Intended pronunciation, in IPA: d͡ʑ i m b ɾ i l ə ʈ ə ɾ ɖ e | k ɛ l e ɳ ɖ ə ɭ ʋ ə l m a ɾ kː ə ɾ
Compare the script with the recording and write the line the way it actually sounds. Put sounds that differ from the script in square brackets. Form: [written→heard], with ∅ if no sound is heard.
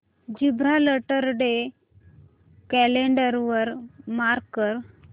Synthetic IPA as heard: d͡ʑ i [m→∅] b ɾ [i→a] l ə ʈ ə ɾ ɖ e | k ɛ l e ɳ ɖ ə [ɭ→ɾ] ʋ ə [l→ɾ] m a ɾ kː ə ɾ